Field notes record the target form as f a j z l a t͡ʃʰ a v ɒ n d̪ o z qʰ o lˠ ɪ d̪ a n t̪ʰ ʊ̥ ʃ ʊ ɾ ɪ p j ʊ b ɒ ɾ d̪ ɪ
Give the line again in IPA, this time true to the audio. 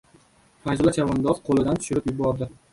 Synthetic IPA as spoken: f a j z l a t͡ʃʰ a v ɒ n d̪ ɒ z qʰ o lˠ ɪ d̪ a n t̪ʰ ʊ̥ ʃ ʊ ɾ ɪ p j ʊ b ɒ ɾ d̪ ɪ